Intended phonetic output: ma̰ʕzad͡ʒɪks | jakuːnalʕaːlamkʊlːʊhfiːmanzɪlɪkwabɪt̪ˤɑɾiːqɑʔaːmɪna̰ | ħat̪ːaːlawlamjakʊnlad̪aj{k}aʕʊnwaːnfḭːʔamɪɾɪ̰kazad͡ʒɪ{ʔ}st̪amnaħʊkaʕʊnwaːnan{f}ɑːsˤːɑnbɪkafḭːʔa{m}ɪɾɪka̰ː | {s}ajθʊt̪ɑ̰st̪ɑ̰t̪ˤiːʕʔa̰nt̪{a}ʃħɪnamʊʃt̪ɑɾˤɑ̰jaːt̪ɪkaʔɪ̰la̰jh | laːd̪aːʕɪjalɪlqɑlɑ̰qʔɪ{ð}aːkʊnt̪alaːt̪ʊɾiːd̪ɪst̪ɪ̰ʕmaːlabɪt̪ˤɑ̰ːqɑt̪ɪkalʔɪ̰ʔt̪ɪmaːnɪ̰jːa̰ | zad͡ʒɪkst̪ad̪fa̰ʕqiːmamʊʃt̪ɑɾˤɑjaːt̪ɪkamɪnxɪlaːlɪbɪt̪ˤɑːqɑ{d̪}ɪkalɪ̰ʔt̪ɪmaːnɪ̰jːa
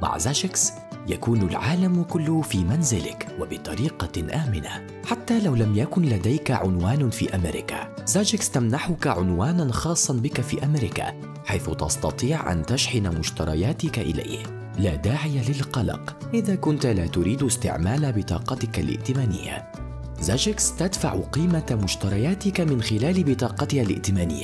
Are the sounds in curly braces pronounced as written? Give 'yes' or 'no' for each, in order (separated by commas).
yes, no, no, yes, no, yes, yes, no